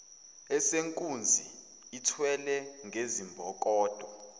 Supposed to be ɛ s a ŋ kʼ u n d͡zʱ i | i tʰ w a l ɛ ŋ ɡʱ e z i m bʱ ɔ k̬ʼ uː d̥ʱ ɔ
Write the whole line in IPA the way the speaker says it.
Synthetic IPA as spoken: ɛ s e ŋ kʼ u n d͡zʱ i | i tʰ w ɛ l ɛ ŋ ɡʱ e z i m bʱ ɔ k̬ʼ ɔː d̥ʱ ɔ